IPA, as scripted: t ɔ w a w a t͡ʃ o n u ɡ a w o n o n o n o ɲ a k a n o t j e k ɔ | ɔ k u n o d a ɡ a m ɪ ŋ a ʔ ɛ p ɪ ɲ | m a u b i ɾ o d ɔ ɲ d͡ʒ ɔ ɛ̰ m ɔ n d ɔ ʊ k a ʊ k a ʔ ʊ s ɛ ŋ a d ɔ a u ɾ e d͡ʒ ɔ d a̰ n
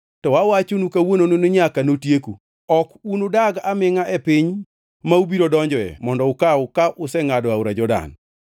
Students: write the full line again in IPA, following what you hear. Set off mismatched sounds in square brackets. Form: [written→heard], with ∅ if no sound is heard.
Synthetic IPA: t ɔ w a w a t͡ʃ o n u [ɡ→k] a w o n o n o n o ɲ a k a n o t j e k [ɔ→u] | ɔ k u n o d a ɡ a m ɪ ŋ a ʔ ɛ p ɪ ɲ | m a u b i ɾ o d ɔ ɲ d͡ʒ ɔ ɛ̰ m ɔ n d ɔ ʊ k a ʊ k a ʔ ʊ s ɛ ŋ a d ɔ a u ɾ [e→a] d͡ʒ ɔ d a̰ n